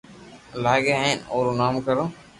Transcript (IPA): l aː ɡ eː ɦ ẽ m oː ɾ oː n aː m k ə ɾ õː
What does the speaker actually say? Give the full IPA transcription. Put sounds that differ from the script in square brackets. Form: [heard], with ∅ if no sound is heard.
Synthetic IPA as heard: l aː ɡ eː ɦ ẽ [n] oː ɾ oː n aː m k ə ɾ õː